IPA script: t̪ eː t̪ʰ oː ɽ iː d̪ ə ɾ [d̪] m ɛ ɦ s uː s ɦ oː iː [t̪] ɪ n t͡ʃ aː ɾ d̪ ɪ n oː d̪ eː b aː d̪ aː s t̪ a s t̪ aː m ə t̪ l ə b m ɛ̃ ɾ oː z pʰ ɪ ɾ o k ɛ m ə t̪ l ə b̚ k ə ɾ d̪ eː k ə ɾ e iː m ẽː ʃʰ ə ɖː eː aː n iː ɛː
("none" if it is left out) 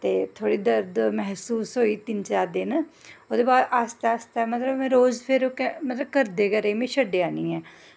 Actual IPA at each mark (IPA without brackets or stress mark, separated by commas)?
d̪, t̪